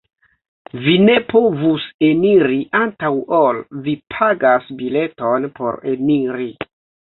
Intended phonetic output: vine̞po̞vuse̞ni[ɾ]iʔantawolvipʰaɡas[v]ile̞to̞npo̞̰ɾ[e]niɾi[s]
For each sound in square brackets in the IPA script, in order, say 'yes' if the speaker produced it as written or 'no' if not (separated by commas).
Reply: yes, no, yes, no